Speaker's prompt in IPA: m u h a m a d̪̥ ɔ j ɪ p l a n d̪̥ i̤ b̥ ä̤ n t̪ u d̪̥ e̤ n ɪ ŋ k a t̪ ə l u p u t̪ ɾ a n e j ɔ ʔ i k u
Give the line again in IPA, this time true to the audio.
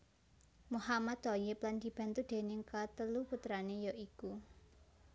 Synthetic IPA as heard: m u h a m a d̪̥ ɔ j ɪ p l a n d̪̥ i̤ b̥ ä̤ n t̪ u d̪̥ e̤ n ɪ ŋ k a t̪ ə l u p u t̪ ɾ a n e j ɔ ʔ i k u